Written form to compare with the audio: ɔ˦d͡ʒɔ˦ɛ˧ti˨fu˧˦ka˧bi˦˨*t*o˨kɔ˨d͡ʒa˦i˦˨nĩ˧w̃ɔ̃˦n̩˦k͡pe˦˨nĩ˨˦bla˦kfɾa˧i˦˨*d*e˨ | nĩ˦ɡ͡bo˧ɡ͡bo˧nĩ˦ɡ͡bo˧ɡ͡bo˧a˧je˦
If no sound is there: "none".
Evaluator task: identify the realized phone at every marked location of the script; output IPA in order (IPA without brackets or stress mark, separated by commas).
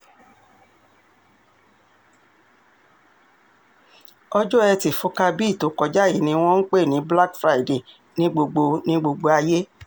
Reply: t, d